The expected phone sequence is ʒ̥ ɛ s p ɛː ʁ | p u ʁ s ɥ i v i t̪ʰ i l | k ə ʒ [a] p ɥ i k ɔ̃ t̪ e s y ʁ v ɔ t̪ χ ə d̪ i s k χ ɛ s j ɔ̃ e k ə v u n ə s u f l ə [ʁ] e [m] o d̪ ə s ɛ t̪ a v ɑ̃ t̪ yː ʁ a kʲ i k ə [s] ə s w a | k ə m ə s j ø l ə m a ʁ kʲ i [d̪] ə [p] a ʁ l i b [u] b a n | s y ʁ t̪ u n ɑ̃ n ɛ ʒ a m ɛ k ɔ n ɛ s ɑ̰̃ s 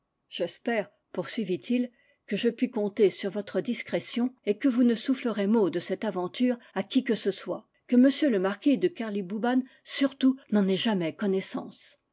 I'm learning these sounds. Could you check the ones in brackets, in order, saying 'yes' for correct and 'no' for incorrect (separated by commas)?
no, yes, yes, yes, yes, no, yes